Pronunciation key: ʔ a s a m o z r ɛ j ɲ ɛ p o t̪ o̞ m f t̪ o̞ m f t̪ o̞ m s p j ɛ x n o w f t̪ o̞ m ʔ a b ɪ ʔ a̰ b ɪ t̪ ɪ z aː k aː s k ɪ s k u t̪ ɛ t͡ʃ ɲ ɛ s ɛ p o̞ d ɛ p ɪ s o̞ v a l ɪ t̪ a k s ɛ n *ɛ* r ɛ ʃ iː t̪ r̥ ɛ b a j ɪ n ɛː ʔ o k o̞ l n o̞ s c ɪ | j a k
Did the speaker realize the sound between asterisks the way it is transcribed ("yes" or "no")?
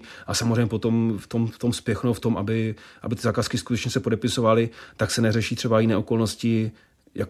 yes